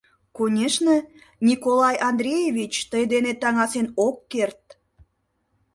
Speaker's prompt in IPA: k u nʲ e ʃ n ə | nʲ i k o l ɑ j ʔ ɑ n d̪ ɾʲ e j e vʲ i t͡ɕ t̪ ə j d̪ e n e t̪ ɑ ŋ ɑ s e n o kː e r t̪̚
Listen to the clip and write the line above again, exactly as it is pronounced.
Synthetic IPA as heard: k o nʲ e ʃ n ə | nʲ i k o l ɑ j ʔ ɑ n d̪ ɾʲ e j e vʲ i t͡ɕ t̪ ə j d̪ e n e t̪ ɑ ŋ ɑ s e n o kː e r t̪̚